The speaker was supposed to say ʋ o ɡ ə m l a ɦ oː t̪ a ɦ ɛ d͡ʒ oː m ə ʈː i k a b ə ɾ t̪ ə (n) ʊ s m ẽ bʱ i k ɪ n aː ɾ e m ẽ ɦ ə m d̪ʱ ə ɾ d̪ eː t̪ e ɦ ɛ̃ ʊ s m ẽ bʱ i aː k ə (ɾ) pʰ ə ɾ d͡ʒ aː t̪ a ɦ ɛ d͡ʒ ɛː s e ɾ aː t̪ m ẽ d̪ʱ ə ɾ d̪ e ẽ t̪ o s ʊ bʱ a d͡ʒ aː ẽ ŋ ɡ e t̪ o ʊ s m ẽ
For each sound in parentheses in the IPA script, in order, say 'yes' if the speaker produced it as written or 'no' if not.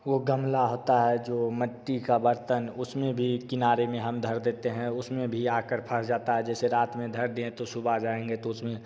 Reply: yes, yes

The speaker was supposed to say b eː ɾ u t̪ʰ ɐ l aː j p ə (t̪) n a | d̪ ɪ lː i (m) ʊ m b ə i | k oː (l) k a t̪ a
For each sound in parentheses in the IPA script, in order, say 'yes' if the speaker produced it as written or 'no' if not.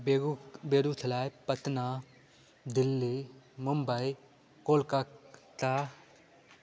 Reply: yes, yes, yes

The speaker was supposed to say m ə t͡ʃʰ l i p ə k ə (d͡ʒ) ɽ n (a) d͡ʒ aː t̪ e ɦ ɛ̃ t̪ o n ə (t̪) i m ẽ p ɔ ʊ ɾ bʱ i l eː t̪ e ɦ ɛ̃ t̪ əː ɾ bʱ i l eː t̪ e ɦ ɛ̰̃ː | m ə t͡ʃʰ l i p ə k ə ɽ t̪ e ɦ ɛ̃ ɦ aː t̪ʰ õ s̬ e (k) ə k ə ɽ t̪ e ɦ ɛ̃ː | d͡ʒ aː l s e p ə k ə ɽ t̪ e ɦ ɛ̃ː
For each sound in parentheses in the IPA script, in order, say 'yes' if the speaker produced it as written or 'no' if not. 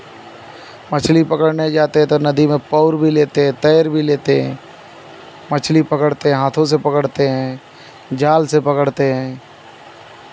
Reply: no, no, no, no

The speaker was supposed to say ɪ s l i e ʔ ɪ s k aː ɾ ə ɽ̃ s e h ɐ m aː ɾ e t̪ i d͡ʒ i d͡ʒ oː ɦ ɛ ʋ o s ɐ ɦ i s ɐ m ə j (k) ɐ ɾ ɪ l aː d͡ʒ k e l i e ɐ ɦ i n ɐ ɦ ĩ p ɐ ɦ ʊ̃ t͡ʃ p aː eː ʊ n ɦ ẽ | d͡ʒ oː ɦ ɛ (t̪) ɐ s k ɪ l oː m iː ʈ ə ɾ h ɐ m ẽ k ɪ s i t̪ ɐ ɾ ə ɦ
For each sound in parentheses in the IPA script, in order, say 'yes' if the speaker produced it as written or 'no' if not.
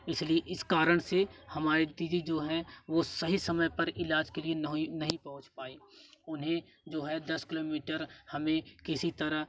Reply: no, no

